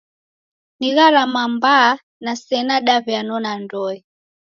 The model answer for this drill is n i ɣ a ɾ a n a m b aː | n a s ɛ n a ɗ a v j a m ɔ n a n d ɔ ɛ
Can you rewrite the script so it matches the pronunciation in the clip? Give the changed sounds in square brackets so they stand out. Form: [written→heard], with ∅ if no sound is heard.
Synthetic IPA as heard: n i ɣ a ɾ a [n→m] a m b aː | n a s ɛ n a ɗ a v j a [m→n] ɔ n a n d ɔ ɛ

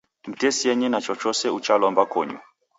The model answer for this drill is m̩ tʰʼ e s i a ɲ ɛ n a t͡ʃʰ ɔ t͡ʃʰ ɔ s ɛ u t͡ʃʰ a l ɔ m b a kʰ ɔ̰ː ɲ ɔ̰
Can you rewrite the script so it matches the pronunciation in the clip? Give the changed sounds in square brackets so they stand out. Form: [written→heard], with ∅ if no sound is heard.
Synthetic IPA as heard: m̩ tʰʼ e s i [a→ɛ] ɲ ɛ n a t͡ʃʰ ɔ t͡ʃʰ ɔ s ɛ u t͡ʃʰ a l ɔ m b a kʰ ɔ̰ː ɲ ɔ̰

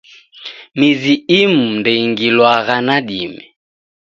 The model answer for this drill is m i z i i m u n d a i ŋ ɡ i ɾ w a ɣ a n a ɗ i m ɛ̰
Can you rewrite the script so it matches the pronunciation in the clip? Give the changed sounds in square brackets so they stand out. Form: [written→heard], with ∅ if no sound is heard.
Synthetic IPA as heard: m i z i i m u n d [a→ɛ] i ŋ ɡ i [ɾ→l] w a ɣ a n a ɗ i m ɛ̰

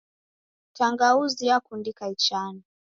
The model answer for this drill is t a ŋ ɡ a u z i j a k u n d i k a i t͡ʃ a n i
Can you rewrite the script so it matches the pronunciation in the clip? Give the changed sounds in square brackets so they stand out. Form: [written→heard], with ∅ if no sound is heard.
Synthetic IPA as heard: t a ŋ ɡ a u z i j a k u n d i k a i t͡ʃ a n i

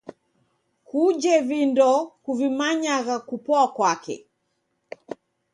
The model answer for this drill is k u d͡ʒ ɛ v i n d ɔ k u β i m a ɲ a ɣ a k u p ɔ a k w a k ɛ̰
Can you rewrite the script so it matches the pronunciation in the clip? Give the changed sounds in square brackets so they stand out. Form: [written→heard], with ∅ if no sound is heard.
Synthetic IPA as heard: k u d͡ʒ ɛ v i n d ɔ k u [β→v] i m a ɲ a ɣ a k u p ɔ a k w a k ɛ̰

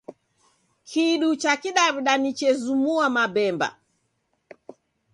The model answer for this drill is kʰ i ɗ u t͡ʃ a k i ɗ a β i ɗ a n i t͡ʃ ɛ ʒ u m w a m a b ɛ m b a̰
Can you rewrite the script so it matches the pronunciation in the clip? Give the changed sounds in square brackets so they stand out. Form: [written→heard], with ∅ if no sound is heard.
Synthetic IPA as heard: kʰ i ɗ u t͡ʃ a k i ɗ a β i ɗ a n i t͡ʃ ɛ [ʒ→z] u m [w→u] a m a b ɛ m b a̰

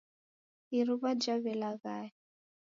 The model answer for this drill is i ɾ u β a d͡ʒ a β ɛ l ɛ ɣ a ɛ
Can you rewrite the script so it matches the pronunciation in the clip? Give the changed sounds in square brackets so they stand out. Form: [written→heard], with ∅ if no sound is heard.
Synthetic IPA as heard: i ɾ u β a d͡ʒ a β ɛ l [ɛ→a] ɣ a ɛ

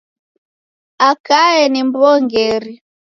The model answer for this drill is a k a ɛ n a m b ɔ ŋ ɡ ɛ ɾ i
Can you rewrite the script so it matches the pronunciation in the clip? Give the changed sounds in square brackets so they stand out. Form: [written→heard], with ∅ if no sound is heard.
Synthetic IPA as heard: a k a ɛ n [a→i] m b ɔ ŋ ɡ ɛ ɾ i

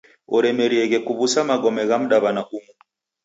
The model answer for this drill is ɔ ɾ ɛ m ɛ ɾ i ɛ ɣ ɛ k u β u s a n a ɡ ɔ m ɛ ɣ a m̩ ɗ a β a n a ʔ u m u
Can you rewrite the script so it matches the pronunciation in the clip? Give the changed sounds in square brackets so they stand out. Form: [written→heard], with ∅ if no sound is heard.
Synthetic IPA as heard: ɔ ɾ ɛ m ɛ ɾ i ɛ ɣ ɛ k u β u s a [n→m] a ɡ ɔ m ɛ ɣ a m̩ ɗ a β a n a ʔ u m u

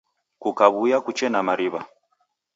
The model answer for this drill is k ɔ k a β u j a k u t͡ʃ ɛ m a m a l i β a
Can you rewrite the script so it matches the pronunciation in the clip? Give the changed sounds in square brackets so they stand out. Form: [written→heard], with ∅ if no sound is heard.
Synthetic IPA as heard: k [ɔ→u] k a β u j a k u t͡ʃ ɛ [m→n] a m a [l→ɾ] i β a

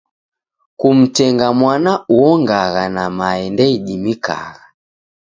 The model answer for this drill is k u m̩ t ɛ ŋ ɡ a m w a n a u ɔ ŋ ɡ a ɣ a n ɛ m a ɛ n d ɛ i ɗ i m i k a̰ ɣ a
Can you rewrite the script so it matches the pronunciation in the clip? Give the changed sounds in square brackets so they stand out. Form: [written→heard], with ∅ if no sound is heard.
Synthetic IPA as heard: k u m̩ t ɛ ŋ ɡ a m w a n a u ɔ ŋ ɡ a ɣ a n [ɛ→a] m a ɛ n d ɛ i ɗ i m i k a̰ ɣ a

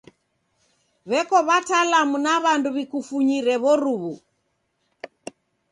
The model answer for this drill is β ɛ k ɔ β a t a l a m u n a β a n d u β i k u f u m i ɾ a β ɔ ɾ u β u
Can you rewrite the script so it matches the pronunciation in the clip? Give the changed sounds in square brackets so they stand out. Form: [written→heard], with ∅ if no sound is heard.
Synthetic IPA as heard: β ɛ k ɔ β a t a l a m u n a β a n d u β i k u f u [m→ɲ] i ɾ [a→ɛ] β ɔ ɾ u β u

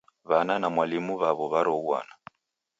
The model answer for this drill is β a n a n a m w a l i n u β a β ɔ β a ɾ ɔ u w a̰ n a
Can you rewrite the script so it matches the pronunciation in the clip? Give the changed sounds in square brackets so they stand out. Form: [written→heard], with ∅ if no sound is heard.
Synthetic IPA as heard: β a n a n a m w a l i [n→m] u β a β ɔ β a ɾ ɔ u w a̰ n a

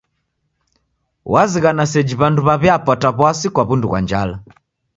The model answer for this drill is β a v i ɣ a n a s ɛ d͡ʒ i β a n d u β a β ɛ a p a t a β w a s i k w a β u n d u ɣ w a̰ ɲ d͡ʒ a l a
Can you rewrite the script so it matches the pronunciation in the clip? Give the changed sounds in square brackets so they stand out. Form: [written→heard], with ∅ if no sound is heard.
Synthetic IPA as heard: [β→w] a [v→z] i ɣ a n a s ɛ d͡ʒ i β a n d u β a β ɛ a p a t a β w a s i k w a β u n d u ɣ w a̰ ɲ d͡ʒ a l a

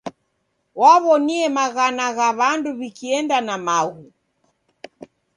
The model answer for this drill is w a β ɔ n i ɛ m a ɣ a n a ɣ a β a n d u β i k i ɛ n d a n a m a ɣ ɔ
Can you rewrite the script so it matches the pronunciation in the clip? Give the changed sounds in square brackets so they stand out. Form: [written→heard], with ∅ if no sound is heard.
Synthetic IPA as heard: w a β ɔ n i ɛ m a ɣ a n a ɣ a β a n d u β i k i ɛ n d a n a m a ɣ [ɔ→u]

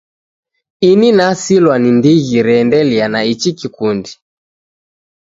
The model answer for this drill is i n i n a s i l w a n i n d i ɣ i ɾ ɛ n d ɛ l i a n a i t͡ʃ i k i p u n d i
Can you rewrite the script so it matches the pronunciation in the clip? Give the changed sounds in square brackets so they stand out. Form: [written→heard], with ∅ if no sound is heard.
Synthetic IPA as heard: i n i n a s i l w a n i n d i ɣ i ɾ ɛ n d ɛ l i a n a i t͡ʃ i k i [p→k] u n d i

